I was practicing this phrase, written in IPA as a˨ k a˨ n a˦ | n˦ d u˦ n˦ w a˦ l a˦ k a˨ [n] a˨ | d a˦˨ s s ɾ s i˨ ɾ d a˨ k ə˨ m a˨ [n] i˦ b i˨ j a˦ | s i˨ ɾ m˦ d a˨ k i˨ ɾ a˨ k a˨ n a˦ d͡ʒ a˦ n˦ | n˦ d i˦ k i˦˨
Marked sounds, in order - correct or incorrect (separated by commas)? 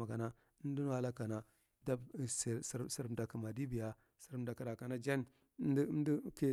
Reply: correct, incorrect